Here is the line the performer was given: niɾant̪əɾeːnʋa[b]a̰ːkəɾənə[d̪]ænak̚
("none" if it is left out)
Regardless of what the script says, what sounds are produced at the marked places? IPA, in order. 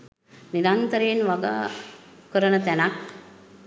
ɡ, t̪

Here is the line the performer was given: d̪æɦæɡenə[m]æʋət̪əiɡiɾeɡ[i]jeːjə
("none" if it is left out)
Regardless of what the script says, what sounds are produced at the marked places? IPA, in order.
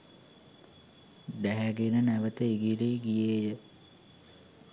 n, i

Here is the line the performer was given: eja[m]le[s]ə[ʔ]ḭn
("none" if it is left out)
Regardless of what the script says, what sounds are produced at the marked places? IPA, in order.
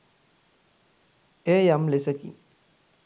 m, s, k

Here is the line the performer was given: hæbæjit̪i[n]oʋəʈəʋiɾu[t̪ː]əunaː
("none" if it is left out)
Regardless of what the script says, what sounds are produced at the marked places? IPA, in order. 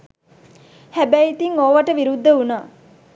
ŋ, d̪ː

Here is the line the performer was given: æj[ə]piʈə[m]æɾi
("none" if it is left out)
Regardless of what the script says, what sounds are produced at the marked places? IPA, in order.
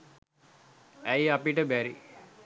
a, b

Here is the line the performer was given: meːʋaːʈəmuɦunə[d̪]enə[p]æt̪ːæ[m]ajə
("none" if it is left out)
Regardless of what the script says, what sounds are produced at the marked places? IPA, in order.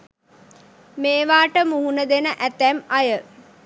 d̪, ʔ, m

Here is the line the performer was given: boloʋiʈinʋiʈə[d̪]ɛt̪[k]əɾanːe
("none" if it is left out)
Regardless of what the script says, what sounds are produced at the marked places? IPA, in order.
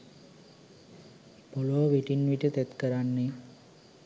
t̪, k

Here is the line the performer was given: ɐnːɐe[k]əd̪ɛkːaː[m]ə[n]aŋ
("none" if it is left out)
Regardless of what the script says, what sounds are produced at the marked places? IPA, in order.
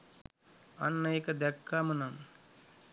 k, m, n

